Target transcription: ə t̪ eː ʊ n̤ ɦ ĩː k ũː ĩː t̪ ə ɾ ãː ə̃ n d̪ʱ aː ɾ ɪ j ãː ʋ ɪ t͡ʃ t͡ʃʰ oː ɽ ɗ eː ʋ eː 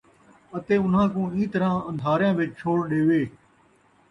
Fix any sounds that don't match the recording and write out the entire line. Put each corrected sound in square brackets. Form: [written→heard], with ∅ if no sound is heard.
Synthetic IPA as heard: ə t̪ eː ʊ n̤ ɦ [ĩː→ãː] k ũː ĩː t̪ ə ɾ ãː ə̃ n d̪ʱ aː ɾ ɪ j ãː ʋ ɪ t͡ʃ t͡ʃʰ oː ɽ ɗ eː ʋ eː